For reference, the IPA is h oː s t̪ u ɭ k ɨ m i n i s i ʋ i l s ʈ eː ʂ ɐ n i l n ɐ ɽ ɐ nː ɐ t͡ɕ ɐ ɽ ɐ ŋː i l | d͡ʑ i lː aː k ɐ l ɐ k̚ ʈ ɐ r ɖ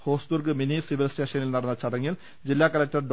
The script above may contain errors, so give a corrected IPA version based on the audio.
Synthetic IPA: h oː s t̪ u r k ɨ m i n i s i ʋ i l s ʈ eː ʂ ɐ n i l n ɐ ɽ ɐ nː ɐ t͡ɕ ɐ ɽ ɐ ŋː i l | d͡ʑ i lː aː k ɐ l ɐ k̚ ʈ ɐ r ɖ